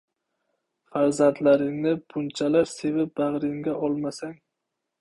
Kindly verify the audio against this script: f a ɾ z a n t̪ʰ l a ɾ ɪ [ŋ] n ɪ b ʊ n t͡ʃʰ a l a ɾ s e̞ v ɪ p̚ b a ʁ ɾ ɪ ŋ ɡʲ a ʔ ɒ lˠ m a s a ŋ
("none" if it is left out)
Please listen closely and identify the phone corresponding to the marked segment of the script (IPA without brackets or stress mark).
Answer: ŋ